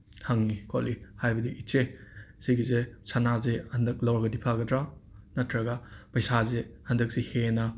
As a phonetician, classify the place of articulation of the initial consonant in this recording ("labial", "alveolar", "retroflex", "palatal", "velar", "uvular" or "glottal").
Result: glottal